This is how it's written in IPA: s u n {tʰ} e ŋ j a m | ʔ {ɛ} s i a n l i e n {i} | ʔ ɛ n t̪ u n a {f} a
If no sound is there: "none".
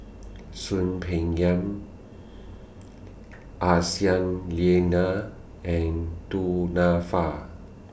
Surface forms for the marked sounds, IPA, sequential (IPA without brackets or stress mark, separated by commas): pʰ, a, a, f